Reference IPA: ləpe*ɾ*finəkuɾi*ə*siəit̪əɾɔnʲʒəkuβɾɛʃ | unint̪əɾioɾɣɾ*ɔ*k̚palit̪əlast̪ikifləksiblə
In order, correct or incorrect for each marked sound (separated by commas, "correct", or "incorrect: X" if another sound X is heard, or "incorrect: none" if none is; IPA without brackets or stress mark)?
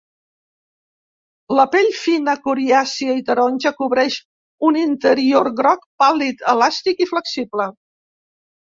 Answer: incorrect: ʎ, incorrect: a, correct